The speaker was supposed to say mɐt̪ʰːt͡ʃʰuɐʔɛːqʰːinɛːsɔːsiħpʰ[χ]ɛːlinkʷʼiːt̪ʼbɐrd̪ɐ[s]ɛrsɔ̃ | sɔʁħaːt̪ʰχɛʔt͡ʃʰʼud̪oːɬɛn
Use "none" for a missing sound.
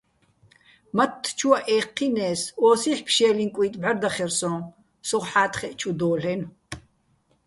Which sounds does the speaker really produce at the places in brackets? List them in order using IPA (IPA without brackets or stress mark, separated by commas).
ʃ, χ